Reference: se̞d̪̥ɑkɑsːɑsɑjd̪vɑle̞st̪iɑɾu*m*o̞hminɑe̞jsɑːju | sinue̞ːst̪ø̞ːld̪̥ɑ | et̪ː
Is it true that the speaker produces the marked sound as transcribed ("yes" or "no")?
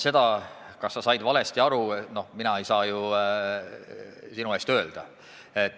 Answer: no